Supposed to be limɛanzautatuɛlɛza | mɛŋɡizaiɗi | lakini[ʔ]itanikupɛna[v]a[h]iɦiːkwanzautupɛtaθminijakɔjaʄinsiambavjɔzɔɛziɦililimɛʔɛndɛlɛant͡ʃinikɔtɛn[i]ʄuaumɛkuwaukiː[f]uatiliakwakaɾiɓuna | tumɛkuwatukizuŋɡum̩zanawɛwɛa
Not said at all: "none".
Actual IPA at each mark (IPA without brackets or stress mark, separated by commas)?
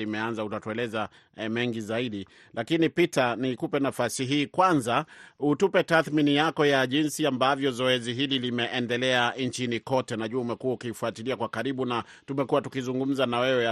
p, f, s, a, f